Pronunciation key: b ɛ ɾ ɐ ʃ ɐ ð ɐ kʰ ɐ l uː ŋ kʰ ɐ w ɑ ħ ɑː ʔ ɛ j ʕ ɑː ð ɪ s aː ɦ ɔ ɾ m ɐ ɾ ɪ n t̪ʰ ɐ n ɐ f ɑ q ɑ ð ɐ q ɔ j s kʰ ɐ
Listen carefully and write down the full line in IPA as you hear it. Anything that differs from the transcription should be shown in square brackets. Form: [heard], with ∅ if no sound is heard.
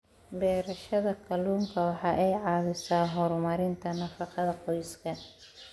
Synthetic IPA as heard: b [ɛː] ɾ ɐ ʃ ɐ ð ɐ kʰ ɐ l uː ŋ kʰ ɐ w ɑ ħ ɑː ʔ ɛ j ʕ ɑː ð ɪ s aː ɦ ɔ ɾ m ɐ ɾ ɪ n t̪ʰ ɐ n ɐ f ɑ q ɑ ð ɐ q ɔ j s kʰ ɐ